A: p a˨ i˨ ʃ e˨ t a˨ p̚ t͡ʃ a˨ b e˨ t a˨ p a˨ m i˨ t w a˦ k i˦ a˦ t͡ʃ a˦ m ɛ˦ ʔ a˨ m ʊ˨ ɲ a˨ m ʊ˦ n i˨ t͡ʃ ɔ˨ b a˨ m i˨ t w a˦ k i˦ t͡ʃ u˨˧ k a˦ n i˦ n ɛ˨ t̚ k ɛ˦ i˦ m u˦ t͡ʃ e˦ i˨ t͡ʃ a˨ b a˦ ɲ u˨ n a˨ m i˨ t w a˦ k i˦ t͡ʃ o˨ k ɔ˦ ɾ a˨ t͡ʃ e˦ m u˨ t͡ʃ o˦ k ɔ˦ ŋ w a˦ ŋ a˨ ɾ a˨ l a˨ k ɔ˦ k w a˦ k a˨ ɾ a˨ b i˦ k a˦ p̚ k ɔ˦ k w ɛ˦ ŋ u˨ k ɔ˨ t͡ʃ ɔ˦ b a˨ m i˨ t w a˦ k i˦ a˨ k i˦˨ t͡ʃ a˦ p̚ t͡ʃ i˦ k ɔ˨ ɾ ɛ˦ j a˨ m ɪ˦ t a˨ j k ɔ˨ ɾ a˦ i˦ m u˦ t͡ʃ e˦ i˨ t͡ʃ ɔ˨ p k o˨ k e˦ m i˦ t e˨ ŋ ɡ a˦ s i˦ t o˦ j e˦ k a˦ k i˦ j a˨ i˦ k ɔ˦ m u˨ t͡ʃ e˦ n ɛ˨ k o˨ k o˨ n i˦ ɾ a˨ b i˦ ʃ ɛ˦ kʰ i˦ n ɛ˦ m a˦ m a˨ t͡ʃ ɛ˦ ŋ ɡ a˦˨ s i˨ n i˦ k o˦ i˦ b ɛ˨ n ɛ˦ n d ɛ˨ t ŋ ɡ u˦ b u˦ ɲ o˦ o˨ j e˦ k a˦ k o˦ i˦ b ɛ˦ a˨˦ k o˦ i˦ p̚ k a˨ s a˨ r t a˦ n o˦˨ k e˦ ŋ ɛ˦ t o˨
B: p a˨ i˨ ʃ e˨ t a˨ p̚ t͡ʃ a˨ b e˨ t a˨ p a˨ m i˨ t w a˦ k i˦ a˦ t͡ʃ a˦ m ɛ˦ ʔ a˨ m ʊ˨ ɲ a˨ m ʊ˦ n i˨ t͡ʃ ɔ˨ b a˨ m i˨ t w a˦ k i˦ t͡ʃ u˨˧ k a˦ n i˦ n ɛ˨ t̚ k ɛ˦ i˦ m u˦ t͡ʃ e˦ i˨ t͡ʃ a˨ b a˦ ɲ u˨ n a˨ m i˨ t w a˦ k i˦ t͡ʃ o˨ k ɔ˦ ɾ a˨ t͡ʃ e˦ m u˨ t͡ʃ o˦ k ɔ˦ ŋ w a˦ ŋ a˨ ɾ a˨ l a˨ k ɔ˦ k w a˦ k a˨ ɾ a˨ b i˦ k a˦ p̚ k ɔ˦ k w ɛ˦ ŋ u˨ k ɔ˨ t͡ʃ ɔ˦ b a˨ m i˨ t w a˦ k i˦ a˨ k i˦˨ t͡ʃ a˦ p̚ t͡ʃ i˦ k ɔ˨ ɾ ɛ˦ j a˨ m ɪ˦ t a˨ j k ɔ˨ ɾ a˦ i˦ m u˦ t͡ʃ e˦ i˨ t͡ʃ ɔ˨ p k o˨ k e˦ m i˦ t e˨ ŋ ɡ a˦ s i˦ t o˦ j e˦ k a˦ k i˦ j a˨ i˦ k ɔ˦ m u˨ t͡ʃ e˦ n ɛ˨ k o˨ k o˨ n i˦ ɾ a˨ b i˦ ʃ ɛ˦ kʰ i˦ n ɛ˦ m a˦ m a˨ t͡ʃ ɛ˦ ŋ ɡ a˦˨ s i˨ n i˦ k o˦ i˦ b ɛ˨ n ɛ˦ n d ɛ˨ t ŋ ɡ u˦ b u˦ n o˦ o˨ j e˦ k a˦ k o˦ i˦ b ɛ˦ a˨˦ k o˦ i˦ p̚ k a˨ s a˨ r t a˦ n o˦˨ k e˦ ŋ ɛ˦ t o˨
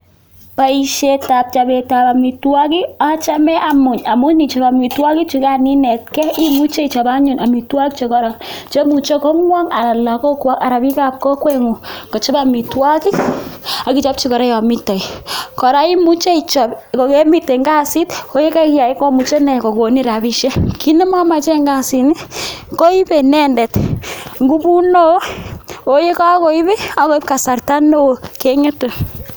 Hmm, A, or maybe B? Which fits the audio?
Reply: B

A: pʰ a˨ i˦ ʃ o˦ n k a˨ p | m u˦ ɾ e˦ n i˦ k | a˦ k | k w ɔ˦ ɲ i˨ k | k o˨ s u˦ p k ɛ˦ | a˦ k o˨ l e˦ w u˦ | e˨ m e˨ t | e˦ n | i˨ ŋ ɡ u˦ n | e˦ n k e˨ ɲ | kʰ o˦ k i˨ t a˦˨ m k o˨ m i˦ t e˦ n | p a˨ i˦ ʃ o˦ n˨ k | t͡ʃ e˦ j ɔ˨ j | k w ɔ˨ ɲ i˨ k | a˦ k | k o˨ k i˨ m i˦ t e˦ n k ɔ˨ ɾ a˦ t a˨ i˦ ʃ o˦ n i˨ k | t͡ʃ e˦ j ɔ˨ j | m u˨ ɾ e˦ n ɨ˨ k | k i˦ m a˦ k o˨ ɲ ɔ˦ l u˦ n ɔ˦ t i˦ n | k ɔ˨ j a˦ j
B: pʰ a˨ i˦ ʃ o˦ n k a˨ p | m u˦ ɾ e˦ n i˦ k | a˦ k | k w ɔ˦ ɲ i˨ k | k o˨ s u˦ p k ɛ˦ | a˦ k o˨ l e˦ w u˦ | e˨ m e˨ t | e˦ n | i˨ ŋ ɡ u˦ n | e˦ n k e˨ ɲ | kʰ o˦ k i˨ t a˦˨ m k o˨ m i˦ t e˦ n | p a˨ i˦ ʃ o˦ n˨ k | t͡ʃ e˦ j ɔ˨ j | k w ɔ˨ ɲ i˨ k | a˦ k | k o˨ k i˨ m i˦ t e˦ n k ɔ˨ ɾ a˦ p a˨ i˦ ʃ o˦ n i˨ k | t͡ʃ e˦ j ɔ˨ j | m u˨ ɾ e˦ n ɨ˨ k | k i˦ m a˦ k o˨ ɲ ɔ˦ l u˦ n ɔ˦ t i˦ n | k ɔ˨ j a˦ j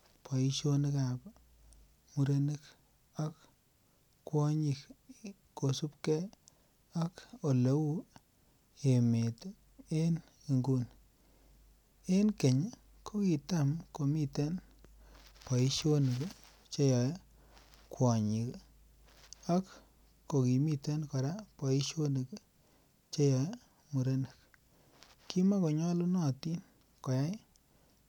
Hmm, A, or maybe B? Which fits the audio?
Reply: B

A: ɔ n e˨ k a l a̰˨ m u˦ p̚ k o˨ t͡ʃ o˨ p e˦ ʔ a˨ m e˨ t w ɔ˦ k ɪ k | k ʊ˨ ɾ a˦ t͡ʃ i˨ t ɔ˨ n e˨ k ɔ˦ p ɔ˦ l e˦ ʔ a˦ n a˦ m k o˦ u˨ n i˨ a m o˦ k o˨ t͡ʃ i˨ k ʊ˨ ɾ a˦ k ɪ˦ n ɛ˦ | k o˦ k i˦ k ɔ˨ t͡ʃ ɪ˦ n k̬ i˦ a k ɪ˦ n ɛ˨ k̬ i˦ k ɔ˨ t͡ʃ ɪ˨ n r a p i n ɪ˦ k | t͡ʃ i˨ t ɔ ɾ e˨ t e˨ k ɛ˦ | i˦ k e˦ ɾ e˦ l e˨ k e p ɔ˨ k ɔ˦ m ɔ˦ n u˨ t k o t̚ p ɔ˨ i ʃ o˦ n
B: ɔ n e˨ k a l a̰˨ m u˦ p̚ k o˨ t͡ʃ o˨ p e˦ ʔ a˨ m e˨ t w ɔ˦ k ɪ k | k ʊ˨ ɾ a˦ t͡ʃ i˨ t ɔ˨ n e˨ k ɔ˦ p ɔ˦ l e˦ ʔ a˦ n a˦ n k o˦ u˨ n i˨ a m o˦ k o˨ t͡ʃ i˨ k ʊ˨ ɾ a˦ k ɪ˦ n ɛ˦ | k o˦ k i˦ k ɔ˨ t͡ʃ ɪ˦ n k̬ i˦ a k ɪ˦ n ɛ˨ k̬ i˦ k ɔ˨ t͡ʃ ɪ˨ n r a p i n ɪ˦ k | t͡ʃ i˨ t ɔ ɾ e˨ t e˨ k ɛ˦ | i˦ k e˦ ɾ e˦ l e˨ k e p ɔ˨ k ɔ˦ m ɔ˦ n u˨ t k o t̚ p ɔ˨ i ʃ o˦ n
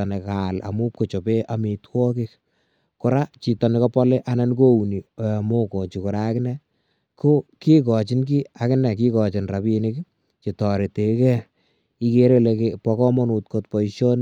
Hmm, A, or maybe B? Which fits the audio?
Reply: B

